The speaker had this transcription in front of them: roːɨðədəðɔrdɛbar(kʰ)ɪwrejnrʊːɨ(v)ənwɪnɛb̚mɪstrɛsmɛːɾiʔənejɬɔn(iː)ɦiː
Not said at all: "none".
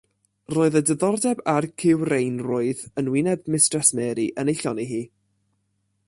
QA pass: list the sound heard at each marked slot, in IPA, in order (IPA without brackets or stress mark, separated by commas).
kʰ, ð, i